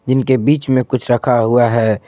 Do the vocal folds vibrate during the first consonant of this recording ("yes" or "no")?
yes